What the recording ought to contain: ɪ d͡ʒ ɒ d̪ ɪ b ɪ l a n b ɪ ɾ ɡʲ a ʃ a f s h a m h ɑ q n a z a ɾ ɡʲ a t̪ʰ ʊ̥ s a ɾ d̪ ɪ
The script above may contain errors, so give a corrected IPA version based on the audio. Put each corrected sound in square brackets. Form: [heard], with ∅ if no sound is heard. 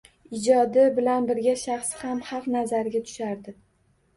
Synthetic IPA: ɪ d͡ʒ ɒ d̪ ɪ b ɪ l a n b ɪ ɾ ɡʲ a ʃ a [χ] s h a m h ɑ q n a z a ɾ ɡʲ a t̪ʰ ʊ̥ [ʃ] a ɾ d̪ ɪ